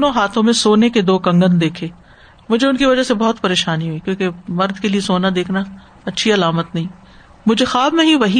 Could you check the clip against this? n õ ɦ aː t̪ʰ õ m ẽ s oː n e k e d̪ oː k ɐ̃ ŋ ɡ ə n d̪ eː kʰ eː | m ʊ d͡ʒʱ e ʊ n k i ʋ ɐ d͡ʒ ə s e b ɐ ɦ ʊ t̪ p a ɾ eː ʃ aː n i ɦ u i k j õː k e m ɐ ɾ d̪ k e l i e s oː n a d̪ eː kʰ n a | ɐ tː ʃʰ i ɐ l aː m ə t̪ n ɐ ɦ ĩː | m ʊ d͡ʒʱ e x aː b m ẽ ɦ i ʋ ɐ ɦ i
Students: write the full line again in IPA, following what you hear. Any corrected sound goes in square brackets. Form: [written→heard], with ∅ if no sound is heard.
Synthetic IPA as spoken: n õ ɦ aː t̪ʰ õ m ẽ s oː n e k e d̪ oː k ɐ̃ ŋ ɡ ə n d̪ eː kʰ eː | m ʊ d͡ʒʱ e ʊ n k i ʋ ɐ d͡ʒ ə s e b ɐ ɦ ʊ t̪ p [a→ɐ] ɾ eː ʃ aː n i ɦ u i k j õː k e m ɐ ɾ d̪ k e l i e s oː n a d̪ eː kʰ n a | ɐ tː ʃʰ i ɐ l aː m ə t̪ n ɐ ɦ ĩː | m ʊ d͡ʒʱ e x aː b m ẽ ɦ i ʋ ɐ ɦ i